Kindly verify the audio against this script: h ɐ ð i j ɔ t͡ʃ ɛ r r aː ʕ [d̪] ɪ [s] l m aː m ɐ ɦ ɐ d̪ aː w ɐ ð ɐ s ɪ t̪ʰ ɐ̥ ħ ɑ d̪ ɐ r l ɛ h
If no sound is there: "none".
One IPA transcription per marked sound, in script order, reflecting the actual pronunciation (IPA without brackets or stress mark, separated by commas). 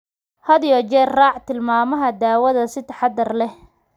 t̪, none